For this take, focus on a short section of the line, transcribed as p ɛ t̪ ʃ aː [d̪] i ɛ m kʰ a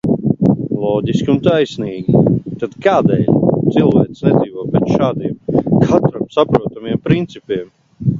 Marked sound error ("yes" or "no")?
no